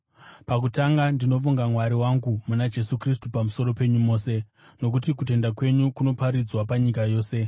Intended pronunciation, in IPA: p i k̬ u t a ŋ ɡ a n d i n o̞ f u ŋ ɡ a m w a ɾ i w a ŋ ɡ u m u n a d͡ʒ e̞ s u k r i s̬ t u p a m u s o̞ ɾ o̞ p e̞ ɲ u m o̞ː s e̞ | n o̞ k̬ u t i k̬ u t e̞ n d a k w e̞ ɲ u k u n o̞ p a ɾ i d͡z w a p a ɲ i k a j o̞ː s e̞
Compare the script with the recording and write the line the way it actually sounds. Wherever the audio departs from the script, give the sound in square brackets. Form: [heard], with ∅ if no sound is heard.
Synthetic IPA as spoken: p [a] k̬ u t a ŋ ɡ a n d i n o̞ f u ŋ ɡ a m w a ɾ i w a ŋ ɡ u m u n a d͡ʒ e̞ s u k r i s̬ t u p a m u s o̞ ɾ o̞ p e̞ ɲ u m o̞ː s e̞ | n o̞ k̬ u t i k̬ u t e̞ n d a k w e̞ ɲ u k u n o̞ p a ɾ i d͡z w a p a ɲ i k a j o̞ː s e̞